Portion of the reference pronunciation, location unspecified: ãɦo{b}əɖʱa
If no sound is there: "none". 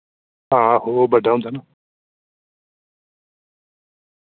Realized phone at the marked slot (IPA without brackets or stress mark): b